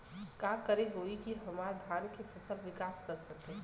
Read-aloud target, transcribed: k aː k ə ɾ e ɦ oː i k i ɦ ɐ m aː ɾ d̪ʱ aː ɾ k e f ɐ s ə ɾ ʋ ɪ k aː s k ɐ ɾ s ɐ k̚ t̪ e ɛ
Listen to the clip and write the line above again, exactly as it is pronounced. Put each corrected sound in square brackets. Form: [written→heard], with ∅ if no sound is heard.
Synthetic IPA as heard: k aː k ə ɾ e ɦ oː i k i ɦ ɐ m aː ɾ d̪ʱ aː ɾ k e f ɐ s ə [ɾ→l] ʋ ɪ k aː s k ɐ ɾ s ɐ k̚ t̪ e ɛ

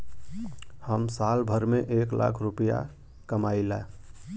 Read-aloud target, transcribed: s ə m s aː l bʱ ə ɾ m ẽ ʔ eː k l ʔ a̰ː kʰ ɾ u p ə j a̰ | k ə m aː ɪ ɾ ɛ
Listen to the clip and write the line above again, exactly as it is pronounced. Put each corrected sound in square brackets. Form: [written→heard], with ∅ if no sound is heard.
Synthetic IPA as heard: [s→h] ə m s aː l bʱ ə ɾ m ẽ ʔ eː k l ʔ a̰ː kʰ ɾ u p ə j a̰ | k ə m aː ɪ [ɾ→l] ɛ

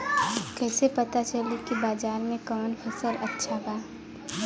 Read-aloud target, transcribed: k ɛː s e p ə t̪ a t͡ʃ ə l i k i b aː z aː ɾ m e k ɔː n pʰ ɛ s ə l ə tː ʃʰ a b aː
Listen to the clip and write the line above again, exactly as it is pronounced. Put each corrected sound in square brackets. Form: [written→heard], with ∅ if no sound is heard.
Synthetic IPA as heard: k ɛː s e p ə t̪ a t͡ʃ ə l i k i b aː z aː ɾ m [e→ẽ] k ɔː n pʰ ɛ s ə l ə tː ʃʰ a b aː

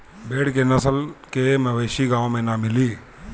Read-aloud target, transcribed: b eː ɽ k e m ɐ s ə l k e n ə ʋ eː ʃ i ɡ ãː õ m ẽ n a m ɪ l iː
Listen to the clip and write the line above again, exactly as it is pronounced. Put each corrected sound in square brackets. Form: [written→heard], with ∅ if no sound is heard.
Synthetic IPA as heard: b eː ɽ k e [m→n] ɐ s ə l k e [n→m] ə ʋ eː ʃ i ɡ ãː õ m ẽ n a m ɪ l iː

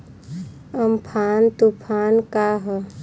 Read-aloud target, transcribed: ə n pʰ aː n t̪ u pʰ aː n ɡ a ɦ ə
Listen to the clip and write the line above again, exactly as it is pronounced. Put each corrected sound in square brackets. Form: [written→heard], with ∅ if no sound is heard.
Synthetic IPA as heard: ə [n→m] pʰ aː n t̪ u pʰ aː n [ɡ→k] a ɦ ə

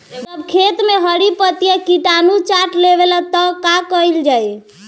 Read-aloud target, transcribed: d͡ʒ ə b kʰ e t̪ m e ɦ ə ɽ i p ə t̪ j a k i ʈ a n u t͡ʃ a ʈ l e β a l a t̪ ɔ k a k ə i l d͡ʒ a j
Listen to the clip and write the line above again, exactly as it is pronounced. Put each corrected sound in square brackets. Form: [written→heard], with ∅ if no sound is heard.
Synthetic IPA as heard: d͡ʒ ə b kʰ e t̪ m e ɦ ə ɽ i p ə t̪ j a k i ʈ a n u t͡ʃ a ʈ l e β [a→e] l a t̪ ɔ k a k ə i l d͡ʒ a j

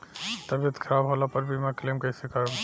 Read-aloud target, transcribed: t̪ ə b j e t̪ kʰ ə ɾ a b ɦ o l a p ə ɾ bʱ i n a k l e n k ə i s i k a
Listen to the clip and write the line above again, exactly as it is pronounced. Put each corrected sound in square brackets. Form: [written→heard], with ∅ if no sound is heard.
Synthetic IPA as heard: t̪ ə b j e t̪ kʰ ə ɾ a b ɦ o l a p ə ɾ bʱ i [n→m] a k l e [n→m] k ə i s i k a

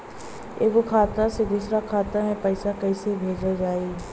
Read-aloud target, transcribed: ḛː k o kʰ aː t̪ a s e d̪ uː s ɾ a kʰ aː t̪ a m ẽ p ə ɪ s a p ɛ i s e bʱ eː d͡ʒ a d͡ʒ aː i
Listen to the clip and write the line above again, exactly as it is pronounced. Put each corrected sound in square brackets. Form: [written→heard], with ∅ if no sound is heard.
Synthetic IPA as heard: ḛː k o kʰ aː t̪ a s e d̪ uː s ɾ a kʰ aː t̪ a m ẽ p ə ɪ s a [p→k] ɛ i s e bʱ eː d͡ʒ a d͡ʒ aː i

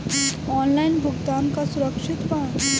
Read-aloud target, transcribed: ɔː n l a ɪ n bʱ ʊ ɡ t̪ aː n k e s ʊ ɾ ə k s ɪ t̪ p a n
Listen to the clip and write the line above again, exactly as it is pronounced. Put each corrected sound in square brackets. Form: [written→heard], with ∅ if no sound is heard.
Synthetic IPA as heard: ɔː n l a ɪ n bʱ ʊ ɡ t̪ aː n k [e→a] s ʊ ɾ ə k [s→ʃ] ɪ t̪ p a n

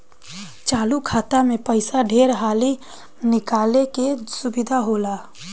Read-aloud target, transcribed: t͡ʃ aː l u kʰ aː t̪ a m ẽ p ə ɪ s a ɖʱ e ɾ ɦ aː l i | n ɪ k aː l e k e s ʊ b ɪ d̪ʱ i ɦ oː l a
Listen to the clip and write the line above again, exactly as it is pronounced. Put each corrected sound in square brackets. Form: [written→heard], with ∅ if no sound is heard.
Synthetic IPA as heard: t͡ʃ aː l u kʰ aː t̪ a m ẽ p ə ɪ s a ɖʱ e ɾ ɦ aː l i | n ɪ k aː l e k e s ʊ b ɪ d̪ʱ [i→a] ɦ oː l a

